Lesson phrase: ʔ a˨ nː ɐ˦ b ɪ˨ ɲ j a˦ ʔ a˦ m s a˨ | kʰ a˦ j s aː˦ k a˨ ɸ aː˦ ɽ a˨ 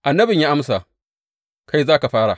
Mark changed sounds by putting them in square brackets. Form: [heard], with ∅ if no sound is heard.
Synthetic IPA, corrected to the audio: ʔ a˨ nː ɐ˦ b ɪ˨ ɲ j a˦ ʔ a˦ m s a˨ | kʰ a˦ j [z] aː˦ k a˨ ɸ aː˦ ɽ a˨